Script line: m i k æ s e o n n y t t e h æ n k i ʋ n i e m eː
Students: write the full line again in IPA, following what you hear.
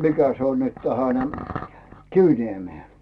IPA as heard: m i k æ s e o n n y t t æ h æ n k i ʋ n i e m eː